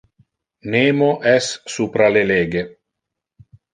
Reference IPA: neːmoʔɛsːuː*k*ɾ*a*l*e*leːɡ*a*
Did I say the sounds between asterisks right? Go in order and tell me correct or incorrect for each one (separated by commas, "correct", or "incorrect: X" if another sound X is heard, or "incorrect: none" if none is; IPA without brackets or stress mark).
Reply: incorrect: p, correct, correct, incorrect: e